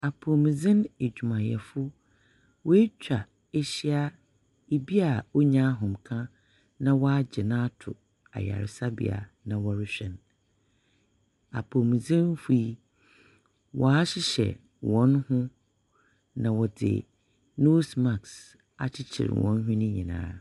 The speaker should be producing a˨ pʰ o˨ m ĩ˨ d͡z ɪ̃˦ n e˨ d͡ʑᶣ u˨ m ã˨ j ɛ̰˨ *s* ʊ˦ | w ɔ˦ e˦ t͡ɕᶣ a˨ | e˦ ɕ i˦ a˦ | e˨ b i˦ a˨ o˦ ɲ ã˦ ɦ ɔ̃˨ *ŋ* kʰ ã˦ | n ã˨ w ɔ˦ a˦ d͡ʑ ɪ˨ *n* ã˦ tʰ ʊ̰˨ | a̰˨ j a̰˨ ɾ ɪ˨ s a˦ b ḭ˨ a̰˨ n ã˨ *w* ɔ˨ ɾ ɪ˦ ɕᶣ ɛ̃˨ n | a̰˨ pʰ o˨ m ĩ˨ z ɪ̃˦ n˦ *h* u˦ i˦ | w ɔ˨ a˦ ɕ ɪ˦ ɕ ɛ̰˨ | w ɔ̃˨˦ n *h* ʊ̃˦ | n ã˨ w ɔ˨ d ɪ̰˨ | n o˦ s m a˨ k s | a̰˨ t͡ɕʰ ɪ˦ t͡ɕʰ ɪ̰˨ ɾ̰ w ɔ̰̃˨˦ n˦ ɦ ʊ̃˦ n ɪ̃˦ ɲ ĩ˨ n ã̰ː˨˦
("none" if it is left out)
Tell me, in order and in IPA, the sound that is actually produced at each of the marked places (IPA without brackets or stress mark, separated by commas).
f, m, n, w, f, h